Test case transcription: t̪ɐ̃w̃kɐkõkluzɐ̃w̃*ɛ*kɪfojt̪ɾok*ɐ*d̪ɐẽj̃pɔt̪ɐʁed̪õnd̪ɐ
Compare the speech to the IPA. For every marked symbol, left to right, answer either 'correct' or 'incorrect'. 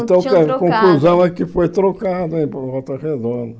correct, incorrect: a

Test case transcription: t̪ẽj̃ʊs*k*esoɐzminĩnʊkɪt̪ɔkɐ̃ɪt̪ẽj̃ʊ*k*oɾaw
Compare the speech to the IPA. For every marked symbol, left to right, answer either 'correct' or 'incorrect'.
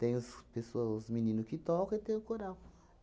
incorrect: p, correct

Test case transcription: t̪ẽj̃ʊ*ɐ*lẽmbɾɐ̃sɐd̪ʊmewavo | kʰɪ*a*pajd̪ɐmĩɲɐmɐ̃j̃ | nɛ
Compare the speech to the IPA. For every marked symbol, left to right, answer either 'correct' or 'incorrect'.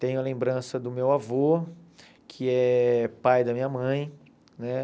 correct, incorrect: ɛ

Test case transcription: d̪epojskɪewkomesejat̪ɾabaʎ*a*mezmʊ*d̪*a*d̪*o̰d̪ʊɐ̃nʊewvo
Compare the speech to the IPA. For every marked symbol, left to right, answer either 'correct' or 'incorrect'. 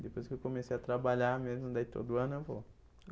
correct, correct, incorrect: t̪

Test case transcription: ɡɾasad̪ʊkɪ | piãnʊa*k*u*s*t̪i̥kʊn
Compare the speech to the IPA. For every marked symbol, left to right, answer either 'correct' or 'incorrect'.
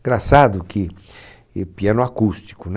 correct, correct

